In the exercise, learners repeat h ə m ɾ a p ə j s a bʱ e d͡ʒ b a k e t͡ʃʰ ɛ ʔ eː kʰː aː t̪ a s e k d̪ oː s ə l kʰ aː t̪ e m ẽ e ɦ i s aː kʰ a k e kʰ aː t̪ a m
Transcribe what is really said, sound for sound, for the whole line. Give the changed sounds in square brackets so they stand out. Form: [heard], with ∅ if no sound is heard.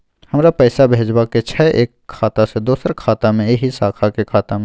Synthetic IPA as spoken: h ə m ɾ a p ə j s a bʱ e d͡ʒ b a k e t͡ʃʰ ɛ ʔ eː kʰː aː t̪ a s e [∅] d̪ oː s ə [ɾ] kʰ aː t̪ [a] m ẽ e ɦ i s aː kʰ a k e kʰ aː t̪ a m

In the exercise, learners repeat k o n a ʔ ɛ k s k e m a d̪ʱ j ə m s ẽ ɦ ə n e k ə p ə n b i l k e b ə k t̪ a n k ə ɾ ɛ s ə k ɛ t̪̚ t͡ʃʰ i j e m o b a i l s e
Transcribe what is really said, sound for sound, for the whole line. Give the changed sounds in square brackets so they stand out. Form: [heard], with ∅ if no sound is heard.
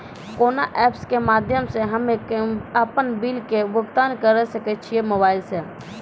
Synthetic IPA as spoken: k o n a ʔ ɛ [p] s k e m a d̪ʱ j ə m s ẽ ɦ ə [m] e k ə p ə n b i l k e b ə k t̪ a n k ə ɾ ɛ s ə k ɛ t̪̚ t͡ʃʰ i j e m o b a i l s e

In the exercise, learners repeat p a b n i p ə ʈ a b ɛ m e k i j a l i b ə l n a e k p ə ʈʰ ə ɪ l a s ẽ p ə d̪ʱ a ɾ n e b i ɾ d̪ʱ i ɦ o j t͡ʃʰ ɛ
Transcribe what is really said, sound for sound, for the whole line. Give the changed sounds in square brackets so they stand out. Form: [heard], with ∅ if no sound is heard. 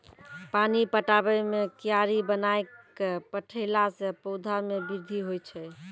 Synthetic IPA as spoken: p a [∅] n i p ə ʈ a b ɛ m e k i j a [ɾ] i b ə [∅] n a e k p ə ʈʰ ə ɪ l a s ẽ p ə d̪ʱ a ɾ [m] e b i ɾ d̪ʱ i ɦ o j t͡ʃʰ ɛ

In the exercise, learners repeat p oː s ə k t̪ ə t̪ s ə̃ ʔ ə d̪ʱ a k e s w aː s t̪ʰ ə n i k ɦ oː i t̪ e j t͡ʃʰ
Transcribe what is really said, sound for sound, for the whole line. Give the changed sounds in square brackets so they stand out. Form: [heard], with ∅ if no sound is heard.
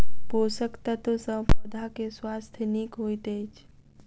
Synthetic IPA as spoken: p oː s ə k t̪ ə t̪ s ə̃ [p] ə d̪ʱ a k e s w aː s t̪ʰ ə n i k ɦ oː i t̪ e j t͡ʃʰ

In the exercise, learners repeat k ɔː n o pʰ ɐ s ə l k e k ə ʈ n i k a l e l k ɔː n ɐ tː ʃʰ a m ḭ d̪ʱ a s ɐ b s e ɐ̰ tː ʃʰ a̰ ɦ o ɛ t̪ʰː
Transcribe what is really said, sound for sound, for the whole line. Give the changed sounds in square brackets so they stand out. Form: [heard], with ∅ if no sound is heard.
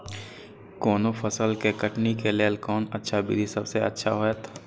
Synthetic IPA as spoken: k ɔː n o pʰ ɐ s ə l k e k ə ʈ n i k [e] l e l k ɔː n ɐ tː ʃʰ a [b] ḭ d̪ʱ [i] s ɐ b s e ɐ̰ tː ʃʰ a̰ ɦ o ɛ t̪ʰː

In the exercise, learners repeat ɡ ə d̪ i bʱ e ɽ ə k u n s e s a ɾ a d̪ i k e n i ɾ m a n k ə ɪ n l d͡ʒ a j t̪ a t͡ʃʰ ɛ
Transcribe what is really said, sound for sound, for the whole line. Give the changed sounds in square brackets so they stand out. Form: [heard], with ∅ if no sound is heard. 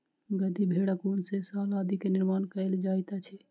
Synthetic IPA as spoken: ɡ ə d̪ i bʱ e ɽ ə k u n s e s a [l] a d̪ i k e n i ɾ m a n k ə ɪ [∅] l d͡ʒ a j t̪ a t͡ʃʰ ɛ

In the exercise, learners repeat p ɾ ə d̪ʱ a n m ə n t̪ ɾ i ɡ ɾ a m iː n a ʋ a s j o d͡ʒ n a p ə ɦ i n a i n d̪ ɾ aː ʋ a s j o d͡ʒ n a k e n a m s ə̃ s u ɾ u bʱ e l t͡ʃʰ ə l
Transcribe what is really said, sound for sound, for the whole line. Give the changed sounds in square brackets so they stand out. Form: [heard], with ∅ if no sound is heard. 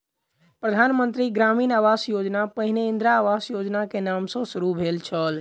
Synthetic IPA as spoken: p ɾ ə d̪ʱ a n m ə n t̪ ɾ i ɡ ɾ a m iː n a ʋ a s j o d͡ʒ n a p ə ɦ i n [e] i n d̪ ɾ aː ʋ a s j o d͡ʒ n a k e n a m s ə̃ s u ɾ u bʱ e l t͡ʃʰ ə l

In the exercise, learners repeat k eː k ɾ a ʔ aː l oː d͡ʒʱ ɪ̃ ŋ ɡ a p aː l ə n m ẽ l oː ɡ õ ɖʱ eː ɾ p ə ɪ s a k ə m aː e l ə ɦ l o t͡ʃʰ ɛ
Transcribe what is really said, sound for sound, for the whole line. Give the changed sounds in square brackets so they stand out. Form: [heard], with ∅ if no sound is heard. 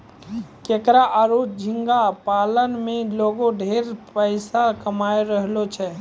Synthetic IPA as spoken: k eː k ɾ a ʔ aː [ɾ] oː d͡ʒʱ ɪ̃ ŋ ɡ a p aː l ə n m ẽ l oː ɡ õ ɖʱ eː ɾ p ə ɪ s a k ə m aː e [ɾ] ə ɦ l o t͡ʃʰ ɛ

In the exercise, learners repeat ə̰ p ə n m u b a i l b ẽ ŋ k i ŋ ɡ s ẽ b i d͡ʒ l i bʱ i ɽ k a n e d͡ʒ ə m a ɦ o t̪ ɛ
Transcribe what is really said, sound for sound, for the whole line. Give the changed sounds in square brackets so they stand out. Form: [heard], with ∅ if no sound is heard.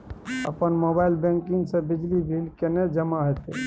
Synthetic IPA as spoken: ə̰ p ə n m [o] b a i l b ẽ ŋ k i ŋ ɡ s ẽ b i d͡ʒ l i bʱ i [l] k [e] n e d͡ʒ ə m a ɦ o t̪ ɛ

